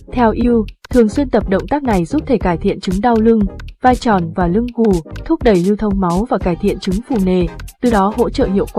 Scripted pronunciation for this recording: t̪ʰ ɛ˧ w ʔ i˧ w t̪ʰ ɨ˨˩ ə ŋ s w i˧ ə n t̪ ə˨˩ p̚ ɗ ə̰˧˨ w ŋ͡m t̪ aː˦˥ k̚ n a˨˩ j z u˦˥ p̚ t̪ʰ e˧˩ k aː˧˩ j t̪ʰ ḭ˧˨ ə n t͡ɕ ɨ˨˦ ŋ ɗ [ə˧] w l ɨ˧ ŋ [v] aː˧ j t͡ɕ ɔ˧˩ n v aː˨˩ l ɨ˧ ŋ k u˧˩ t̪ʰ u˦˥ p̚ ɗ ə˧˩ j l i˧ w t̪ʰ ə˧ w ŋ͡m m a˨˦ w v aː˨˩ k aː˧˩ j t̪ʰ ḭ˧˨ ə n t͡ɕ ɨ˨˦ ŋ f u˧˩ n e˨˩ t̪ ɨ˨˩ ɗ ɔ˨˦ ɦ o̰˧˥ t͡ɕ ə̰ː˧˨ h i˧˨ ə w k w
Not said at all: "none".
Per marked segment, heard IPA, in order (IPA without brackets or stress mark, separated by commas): a˧, v